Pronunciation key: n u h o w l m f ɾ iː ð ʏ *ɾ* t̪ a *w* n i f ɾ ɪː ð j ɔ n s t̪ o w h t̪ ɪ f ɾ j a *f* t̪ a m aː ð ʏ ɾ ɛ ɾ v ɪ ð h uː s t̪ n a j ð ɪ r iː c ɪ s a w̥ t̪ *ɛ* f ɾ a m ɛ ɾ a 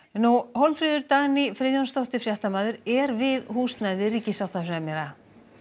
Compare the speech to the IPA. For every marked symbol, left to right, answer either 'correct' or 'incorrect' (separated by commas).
correct, incorrect, incorrect, incorrect